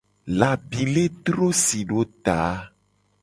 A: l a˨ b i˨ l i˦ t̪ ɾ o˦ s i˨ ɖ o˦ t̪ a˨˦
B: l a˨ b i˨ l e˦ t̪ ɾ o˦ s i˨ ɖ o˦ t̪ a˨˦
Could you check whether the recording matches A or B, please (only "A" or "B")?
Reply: B